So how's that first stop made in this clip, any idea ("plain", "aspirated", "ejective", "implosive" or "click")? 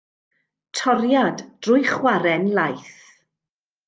aspirated